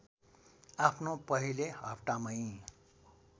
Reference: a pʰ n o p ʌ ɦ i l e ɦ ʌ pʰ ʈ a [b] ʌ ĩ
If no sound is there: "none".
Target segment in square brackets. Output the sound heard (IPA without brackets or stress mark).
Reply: m